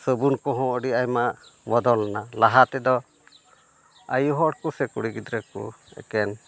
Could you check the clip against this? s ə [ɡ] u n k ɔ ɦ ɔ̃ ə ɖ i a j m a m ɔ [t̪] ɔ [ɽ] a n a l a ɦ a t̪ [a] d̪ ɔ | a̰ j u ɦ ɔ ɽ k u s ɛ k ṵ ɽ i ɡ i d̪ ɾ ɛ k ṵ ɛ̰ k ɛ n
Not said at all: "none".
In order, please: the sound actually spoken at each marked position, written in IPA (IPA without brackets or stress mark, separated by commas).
b, d̪, l, ɛ